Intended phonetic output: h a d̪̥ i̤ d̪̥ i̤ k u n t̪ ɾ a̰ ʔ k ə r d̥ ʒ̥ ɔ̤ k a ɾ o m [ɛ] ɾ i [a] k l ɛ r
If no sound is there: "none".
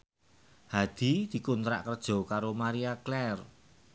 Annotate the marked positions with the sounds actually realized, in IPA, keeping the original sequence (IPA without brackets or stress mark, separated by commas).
a, a